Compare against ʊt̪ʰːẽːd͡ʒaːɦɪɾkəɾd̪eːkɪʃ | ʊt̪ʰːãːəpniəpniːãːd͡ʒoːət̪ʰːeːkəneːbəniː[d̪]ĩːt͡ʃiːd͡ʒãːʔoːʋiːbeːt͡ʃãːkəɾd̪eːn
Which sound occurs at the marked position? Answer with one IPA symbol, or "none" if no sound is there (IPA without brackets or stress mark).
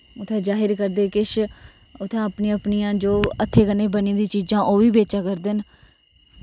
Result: d̪